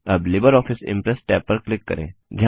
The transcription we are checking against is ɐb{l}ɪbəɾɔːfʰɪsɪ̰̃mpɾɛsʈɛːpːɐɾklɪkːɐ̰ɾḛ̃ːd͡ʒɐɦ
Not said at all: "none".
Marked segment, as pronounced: l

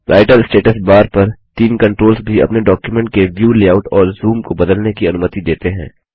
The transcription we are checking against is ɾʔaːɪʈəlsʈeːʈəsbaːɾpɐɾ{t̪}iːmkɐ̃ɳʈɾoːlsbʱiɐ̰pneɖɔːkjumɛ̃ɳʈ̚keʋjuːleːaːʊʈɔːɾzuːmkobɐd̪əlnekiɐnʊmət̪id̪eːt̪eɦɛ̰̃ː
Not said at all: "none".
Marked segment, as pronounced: t̪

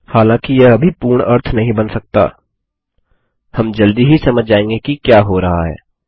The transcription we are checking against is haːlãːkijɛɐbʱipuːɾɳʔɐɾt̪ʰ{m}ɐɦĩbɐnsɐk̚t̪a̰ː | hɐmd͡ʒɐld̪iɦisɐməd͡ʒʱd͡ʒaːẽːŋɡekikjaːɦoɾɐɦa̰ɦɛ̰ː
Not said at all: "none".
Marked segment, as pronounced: n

